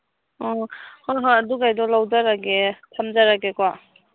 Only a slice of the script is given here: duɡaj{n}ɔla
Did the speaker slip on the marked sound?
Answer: yes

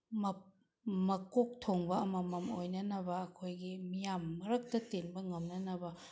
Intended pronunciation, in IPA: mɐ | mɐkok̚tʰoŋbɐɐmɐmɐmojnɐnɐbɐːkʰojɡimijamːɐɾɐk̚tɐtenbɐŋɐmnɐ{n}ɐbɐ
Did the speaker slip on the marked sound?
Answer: no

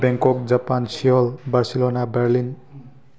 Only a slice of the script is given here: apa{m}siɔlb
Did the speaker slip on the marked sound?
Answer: yes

